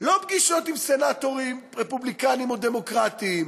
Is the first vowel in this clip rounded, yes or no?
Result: yes